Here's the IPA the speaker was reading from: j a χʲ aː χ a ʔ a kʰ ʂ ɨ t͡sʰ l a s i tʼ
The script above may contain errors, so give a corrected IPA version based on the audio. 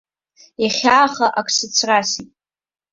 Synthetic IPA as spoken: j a χʲ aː χ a ʔ a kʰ s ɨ t͡sʰ r a s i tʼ